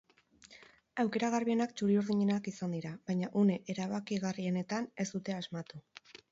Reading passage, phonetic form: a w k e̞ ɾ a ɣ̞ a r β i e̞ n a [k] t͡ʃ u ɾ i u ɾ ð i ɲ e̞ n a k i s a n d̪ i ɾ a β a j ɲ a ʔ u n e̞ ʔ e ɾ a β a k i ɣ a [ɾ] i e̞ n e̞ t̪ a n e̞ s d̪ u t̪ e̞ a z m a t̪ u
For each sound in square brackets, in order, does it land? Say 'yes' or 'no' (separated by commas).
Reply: yes, no